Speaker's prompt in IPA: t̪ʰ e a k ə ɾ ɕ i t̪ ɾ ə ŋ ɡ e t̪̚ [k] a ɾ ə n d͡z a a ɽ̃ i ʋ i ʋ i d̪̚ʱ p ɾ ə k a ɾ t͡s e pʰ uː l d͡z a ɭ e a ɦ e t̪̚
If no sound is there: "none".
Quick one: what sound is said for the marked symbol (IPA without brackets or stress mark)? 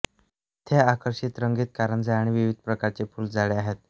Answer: k